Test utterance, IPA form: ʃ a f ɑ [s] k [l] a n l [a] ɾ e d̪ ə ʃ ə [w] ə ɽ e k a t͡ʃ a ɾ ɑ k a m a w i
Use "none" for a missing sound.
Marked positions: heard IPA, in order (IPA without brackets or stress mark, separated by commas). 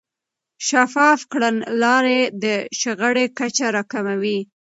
f, ɽ, ɑ, ɣ